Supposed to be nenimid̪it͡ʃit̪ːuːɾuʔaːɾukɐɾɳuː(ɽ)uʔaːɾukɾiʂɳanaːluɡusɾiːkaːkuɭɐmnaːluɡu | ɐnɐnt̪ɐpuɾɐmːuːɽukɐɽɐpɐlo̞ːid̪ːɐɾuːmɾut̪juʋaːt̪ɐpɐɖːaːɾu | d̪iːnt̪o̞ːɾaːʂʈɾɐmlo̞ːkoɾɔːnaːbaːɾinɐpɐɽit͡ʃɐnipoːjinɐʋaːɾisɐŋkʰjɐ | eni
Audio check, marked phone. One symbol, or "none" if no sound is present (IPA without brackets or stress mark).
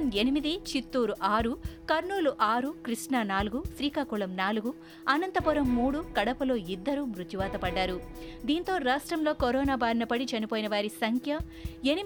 l